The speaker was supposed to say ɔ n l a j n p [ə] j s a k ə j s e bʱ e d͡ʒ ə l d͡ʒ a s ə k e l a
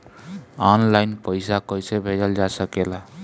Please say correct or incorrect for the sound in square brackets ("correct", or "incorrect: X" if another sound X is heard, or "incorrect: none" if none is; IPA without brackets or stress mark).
correct